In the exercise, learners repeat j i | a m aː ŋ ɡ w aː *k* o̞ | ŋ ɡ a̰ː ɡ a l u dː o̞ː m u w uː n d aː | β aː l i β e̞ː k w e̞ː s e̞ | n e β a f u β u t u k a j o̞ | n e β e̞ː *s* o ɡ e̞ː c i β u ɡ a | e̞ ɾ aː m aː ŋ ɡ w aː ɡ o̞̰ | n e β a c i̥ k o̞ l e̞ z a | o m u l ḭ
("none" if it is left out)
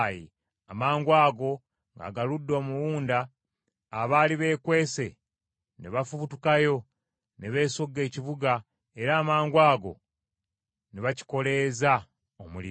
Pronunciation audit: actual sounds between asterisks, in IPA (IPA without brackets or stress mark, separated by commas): ɡ, s